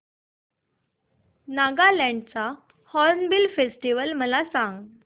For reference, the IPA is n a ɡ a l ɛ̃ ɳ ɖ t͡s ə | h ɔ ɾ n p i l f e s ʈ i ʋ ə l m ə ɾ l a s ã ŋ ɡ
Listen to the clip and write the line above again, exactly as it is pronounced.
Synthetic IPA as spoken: n a ɡ a l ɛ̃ ɳ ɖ t͡s a | h ɔ ɾ n b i l f e s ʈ i ʋ ə l m ə l a s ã ŋ ɡ